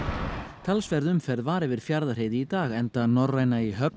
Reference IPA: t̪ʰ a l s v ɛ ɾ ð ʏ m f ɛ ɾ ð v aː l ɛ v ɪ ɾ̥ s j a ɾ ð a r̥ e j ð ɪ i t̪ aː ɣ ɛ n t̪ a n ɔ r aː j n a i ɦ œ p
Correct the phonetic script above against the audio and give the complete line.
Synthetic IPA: t̪ʰ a l s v ɛ ɾ ð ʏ m f ɛ ɾ ð v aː ɾ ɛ v ɪ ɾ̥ f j a ɾ ð a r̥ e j ð ɪ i t̪ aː ɣ ɛ n t̪ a n ɔ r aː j n a i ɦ œ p